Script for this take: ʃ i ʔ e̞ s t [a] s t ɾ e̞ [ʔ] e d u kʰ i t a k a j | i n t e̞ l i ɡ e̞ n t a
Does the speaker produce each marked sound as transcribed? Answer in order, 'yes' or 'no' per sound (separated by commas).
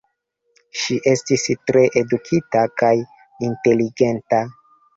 no, yes